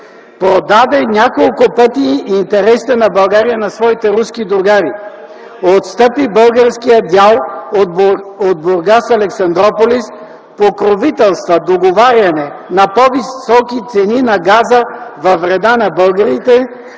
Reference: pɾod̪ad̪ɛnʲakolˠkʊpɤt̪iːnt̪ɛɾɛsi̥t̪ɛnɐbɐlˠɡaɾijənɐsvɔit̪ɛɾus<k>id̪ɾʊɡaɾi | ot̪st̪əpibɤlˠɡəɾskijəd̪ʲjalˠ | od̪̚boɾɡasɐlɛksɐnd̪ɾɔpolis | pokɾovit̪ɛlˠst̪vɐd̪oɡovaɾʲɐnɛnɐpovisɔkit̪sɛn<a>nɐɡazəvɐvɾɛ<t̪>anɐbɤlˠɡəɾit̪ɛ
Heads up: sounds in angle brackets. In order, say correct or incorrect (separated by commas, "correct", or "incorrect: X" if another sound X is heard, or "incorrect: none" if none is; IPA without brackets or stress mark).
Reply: correct, incorrect: i, incorrect: d̪